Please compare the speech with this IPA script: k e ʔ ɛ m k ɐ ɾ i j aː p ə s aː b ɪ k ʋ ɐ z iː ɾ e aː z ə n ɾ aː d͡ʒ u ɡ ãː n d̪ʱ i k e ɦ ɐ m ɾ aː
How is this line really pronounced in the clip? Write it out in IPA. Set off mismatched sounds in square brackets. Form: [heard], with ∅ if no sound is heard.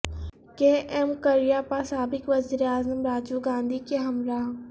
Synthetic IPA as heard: k e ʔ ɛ m k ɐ ɾ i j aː p [a] s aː b ɪ k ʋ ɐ z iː ɾ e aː z ə [m] ɾ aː d͡ʒ u ɡ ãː n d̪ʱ i k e ɦ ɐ m ɾ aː